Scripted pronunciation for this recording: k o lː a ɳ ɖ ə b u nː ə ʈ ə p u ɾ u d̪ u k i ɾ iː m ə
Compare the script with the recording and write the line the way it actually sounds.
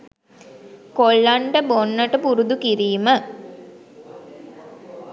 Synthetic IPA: k o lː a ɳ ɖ ə b o nː ə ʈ ə p u ɾ u d̪ u k i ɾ iː m ə